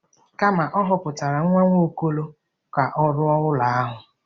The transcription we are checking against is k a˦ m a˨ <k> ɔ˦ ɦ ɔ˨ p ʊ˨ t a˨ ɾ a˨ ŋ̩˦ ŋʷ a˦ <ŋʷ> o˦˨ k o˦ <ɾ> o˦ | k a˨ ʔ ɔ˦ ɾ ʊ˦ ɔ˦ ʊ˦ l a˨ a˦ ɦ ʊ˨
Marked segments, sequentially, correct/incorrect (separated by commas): incorrect, correct, incorrect